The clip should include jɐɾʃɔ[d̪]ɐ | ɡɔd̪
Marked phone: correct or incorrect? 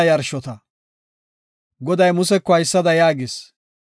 incorrect